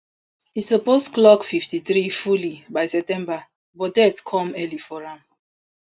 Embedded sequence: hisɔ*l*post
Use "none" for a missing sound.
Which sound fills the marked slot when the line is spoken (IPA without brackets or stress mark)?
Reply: none